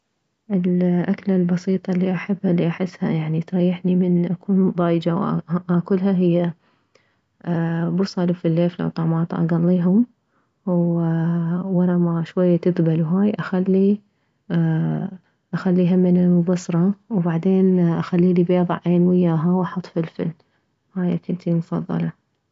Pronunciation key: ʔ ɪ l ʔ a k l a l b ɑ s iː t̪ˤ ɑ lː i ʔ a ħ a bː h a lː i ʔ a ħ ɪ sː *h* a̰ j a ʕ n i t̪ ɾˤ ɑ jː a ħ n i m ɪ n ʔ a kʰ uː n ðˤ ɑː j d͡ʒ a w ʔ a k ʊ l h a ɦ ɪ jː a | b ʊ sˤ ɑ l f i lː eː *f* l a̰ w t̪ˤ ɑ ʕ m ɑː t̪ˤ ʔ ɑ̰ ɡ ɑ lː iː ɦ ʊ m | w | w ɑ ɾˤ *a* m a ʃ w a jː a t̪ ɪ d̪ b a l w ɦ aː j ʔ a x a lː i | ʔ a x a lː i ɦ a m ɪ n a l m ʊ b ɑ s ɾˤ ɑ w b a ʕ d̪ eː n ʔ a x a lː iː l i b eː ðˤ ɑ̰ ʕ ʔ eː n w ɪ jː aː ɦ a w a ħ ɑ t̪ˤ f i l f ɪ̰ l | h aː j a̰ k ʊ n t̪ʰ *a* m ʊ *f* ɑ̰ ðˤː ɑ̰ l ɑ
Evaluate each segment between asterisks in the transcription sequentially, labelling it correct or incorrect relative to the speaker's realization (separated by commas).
correct, correct, incorrect, incorrect, correct